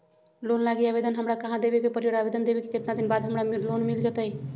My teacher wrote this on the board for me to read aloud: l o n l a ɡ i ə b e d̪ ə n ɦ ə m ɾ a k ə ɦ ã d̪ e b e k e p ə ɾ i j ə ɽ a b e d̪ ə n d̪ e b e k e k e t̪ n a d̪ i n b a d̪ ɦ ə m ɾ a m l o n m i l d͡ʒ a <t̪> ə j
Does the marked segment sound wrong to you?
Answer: no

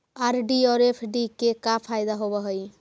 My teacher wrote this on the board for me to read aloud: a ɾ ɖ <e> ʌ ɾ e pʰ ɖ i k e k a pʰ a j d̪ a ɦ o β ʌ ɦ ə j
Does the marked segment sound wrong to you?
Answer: yes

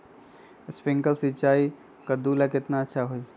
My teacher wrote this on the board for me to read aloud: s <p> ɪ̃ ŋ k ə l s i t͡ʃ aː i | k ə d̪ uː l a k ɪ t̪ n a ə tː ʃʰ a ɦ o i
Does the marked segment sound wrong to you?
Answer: no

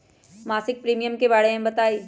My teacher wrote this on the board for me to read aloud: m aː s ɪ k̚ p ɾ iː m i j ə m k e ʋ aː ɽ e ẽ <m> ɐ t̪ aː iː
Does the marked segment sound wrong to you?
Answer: yes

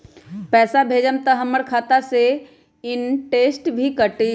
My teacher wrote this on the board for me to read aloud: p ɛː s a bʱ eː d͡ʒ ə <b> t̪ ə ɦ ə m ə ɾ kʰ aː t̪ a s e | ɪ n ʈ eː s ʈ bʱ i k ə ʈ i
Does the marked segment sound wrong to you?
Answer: yes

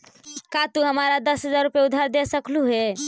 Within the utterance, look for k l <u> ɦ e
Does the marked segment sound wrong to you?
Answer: no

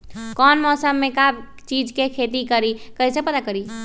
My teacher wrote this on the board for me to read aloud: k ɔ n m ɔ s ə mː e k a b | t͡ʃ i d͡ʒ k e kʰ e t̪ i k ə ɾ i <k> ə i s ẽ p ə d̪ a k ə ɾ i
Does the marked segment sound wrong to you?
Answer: no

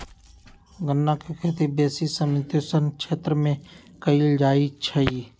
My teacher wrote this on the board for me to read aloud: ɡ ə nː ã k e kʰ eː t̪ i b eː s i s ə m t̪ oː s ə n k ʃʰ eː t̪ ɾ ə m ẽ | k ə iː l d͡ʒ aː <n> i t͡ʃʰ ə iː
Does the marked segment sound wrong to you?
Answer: yes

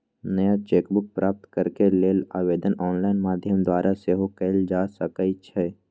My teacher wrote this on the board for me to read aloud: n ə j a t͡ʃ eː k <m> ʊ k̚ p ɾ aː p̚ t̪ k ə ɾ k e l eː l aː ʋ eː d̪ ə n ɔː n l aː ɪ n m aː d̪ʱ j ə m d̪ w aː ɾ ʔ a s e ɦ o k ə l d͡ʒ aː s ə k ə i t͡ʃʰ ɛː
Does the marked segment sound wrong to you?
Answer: yes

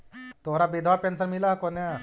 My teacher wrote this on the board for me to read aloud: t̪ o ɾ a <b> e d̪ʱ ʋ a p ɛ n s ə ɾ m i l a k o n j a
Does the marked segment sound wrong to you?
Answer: no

